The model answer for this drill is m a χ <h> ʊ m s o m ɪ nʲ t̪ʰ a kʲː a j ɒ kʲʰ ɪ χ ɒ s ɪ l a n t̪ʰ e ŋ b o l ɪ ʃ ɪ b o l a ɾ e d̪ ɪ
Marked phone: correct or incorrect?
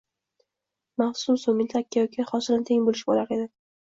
incorrect: s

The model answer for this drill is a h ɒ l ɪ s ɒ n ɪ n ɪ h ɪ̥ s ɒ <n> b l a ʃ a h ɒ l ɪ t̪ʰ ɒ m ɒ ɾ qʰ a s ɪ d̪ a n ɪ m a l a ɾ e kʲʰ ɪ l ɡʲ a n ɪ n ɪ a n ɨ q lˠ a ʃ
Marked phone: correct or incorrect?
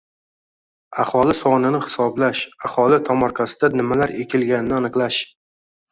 incorrect: none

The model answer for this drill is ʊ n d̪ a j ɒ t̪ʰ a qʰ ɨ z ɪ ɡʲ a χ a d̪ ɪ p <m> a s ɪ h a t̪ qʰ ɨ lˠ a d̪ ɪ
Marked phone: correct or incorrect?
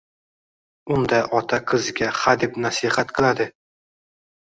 incorrect: n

